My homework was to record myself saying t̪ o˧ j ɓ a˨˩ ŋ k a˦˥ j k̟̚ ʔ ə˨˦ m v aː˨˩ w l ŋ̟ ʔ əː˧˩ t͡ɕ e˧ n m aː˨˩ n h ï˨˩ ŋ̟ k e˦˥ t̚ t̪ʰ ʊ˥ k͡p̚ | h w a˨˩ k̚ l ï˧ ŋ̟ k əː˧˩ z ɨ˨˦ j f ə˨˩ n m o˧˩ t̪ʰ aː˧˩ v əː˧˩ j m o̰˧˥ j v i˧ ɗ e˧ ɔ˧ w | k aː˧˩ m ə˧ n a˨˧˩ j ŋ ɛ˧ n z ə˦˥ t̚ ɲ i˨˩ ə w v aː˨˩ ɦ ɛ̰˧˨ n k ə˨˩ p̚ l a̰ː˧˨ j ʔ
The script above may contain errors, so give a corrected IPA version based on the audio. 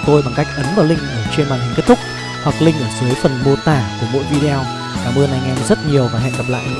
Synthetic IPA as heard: t̪ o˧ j ɓ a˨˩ ŋ k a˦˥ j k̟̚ ʔ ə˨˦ n v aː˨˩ w l ŋ̟ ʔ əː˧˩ t͡ɕ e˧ n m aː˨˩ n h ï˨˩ ŋ̟ k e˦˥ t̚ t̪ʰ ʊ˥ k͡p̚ | h w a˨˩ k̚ l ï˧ ŋ̟ ʔ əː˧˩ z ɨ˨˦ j f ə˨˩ n m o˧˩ t̪ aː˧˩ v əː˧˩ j m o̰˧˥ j v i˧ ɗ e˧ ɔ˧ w | k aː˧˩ m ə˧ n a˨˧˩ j ŋ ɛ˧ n z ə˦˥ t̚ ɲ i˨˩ ə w v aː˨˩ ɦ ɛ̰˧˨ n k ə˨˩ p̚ l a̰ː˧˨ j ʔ